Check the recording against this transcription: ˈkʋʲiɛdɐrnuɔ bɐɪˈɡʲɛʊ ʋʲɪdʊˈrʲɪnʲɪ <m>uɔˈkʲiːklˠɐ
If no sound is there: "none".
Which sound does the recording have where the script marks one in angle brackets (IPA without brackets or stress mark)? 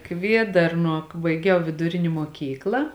m